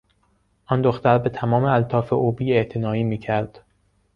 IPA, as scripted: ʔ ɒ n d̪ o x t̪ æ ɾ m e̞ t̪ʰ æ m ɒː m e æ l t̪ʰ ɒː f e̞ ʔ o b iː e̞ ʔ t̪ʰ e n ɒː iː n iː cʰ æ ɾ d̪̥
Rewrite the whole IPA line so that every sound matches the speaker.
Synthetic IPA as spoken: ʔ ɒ n d̪ o x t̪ æ ɾ b e̞ t̪ʰ æ m ɒː m e æ l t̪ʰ ɒː f e̞ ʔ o b iː e̞ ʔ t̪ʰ e n ɒː iː m iː cʰ æ ɾ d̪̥